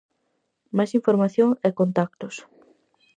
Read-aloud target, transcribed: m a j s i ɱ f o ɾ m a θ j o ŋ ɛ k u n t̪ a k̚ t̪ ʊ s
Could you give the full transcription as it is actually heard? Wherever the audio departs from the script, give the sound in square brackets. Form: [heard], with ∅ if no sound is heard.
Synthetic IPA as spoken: m a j s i ɱ f o ɾ m a θ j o ŋ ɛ k [o] n t̪ a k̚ t̪ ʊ s